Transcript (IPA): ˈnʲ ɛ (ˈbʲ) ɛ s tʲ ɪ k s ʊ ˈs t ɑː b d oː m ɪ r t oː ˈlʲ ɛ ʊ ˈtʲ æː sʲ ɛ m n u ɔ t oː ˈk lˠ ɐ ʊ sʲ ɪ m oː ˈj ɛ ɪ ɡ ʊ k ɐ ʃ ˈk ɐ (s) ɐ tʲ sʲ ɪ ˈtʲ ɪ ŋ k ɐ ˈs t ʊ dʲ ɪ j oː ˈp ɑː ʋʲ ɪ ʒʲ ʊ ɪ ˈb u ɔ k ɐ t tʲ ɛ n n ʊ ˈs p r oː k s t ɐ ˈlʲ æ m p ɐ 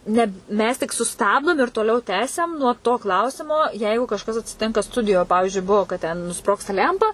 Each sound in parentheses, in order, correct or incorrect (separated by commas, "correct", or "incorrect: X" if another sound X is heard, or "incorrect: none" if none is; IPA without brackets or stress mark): incorrect: mʲ, correct